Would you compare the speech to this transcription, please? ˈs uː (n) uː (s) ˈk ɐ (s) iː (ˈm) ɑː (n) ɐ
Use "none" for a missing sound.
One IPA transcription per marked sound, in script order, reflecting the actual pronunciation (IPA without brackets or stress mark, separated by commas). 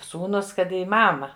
n, s, t, m, m